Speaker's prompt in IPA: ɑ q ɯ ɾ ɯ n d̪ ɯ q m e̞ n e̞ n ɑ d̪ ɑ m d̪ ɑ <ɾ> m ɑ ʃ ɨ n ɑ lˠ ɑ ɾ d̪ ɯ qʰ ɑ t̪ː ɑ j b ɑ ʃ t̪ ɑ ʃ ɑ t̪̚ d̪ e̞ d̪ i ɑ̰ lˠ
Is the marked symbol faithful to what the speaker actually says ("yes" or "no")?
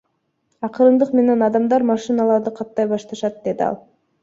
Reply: yes